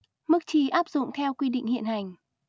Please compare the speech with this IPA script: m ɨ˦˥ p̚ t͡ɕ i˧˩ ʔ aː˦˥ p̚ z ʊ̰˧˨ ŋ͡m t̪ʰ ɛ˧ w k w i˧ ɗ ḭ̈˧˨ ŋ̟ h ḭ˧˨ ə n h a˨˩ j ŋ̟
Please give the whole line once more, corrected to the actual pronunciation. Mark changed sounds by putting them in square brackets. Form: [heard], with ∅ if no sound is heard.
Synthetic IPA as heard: m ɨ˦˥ [k̚] t͡ɕ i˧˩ ʔ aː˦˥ p̚ z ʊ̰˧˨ ŋ͡m t̪ʰ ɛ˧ w k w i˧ ɗ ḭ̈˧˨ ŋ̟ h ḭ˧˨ ə n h a˨˩ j ŋ̟